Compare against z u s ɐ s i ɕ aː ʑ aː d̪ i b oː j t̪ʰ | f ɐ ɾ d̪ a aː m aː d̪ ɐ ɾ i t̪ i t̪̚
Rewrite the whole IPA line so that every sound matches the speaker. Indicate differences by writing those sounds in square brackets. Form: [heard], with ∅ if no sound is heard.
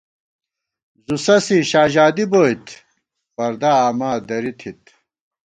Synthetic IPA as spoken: z u s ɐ s i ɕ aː ʑ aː d̪ i b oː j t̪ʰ | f ɐ ɾ d̪ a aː m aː d̪ ɐ ɾ i [t̪ʰ] i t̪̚